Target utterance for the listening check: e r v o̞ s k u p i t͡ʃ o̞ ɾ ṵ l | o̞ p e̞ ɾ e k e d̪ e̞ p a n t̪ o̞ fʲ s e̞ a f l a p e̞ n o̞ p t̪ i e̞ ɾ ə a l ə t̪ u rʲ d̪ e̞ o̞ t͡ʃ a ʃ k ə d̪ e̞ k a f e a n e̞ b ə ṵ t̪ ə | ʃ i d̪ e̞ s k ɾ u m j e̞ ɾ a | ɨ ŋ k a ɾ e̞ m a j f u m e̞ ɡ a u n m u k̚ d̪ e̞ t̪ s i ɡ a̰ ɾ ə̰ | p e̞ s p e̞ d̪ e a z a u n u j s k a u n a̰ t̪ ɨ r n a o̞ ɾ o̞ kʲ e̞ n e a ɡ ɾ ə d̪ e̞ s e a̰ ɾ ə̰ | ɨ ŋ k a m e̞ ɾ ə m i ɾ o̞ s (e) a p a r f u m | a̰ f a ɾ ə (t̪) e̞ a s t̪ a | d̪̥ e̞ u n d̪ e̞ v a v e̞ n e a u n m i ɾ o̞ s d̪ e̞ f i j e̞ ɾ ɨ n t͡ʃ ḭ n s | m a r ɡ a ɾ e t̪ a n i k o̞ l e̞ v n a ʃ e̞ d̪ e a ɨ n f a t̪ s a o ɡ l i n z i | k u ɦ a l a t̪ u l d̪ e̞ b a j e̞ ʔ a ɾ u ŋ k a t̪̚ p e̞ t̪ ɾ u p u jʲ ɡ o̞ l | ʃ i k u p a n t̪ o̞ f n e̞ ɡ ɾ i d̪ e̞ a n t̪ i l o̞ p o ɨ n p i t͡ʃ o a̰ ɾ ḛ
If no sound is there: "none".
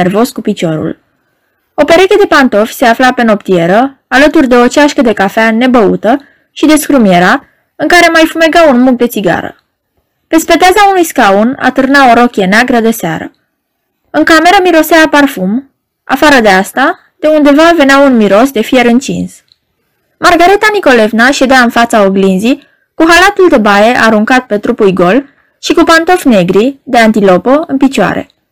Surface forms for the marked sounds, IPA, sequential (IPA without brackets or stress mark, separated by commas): e, d̪